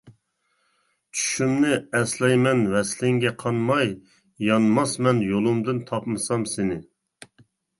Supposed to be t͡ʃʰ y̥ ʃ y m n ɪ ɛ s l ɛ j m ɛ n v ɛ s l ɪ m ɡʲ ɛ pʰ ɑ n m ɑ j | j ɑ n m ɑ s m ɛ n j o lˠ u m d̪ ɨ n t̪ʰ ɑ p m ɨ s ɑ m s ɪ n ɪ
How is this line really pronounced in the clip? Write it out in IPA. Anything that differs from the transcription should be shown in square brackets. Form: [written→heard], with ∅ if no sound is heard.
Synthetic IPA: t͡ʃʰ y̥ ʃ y m n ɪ ɛ s l ɛ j m ɛ n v ɛ s l ɪ [m→ŋ] ɡʲ ɛ [pʰ→qʰ] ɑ n m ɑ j | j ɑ n m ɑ s m ɛ n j o lˠ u m d̪ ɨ n t̪ʰ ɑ p m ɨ s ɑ m s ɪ n ɪ